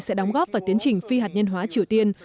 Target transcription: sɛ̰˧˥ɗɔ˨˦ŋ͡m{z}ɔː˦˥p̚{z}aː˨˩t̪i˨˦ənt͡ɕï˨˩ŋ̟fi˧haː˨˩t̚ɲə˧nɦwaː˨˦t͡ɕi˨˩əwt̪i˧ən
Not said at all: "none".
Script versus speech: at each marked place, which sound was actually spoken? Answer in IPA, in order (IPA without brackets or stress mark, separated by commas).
ɣ, v